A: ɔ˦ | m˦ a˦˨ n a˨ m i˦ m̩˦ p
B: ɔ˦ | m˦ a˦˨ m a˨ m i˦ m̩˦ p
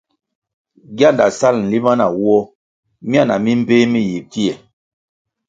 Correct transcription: A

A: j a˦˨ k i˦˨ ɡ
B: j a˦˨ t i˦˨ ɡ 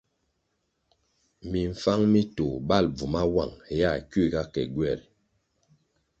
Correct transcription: A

